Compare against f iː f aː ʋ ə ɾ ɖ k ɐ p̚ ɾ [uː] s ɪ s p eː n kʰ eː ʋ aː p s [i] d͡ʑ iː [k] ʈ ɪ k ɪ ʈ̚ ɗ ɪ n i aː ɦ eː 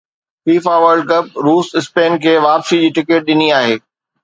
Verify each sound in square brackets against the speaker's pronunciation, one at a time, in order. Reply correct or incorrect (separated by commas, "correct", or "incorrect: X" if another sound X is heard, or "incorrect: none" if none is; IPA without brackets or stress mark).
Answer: correct, correct, incorrect: none